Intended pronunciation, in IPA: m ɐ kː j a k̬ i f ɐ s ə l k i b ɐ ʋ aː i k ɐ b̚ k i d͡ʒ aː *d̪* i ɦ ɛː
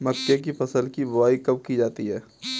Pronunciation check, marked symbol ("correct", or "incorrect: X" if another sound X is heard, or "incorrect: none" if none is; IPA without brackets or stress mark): incorrect: t̪